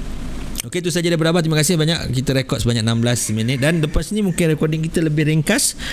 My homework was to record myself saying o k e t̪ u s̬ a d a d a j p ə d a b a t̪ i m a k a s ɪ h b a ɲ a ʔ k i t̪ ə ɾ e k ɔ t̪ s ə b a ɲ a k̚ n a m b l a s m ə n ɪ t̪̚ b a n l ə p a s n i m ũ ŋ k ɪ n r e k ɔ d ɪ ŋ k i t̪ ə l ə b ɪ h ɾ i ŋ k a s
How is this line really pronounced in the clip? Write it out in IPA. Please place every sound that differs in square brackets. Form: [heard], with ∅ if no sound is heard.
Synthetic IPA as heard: o k e t̪ u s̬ a [d͡ʒ] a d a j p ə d a b a t̪ i m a k a s ɪ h b a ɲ a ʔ k i t̪ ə ɾ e k ɔ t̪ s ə b a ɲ a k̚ n a m b l a s m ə n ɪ t̪̚ [d] a n l ə p a s n i m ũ ŋ k ɪ n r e k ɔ d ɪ ŋ k i t̪ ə l ə b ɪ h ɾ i ŋ k a s